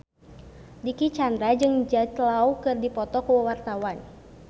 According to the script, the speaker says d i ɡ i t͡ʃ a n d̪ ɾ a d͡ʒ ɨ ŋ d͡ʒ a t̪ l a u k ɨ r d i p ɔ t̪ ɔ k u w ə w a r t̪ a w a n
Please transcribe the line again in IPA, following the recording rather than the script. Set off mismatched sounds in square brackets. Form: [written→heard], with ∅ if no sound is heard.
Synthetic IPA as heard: d i [ɡ→k] i t͡ʃ a n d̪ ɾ a d͡ʒ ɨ ŋ d͡ʒ a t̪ l a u k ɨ r d i p ɔ t̪ ɔ k u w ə w a r t̪ a w a n